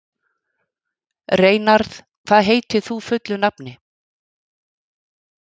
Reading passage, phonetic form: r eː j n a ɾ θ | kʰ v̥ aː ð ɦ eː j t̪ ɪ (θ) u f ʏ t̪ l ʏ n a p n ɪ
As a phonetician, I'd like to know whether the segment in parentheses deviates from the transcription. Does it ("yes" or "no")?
no